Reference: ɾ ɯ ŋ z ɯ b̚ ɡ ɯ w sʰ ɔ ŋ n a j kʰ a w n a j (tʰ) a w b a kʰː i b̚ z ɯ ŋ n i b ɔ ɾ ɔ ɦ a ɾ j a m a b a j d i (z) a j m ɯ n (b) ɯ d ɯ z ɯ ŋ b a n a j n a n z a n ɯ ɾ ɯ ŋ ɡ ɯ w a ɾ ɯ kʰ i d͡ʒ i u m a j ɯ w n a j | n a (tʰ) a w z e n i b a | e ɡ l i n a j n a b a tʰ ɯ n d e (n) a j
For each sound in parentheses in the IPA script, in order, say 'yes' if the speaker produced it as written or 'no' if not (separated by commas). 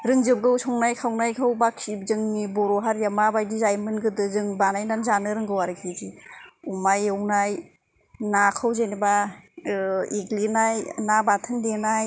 no, yes, no, no, yes